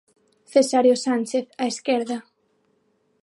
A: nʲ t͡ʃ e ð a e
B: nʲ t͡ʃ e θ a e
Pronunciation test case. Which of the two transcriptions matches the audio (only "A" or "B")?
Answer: B